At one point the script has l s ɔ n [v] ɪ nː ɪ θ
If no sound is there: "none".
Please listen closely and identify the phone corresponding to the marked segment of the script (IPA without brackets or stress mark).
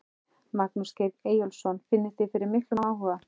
f